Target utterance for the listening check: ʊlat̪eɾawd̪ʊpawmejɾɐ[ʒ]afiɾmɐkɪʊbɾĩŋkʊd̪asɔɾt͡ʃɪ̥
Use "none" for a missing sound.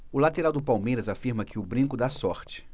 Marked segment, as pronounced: z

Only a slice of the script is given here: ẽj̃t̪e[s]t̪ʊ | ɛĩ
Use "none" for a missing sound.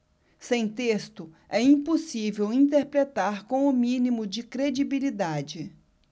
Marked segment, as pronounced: s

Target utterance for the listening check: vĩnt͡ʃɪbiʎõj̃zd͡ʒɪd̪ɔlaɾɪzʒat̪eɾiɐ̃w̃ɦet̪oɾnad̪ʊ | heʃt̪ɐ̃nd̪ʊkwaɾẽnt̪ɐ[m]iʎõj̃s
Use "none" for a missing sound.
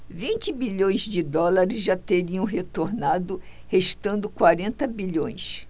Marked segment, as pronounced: b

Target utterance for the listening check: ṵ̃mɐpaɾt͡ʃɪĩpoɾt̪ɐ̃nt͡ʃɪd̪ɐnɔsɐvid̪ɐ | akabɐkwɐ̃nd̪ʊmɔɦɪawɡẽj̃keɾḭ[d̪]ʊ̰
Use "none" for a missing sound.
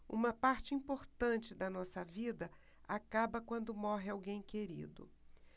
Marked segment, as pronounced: d̪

